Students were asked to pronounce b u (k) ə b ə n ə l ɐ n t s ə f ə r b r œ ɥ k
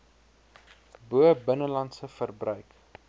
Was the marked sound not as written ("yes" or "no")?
yes